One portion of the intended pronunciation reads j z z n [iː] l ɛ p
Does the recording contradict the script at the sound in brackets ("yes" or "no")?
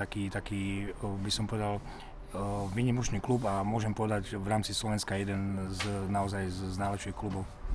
yes